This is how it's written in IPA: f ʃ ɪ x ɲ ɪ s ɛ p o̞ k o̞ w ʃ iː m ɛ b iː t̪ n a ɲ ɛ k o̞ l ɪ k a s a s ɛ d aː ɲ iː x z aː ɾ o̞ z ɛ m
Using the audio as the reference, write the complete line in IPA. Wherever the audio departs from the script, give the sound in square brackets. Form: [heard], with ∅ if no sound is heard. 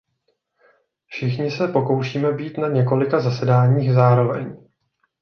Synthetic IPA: f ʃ ɪ x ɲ ɪ s ɛ p o̞ k o̞ w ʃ iː m ɛ b iː t̪ n a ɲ ɛ k o̞ l ɪ k a [z] a s ɛ d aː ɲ iː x z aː ɾ o̞ [v] ɛ [ɲ]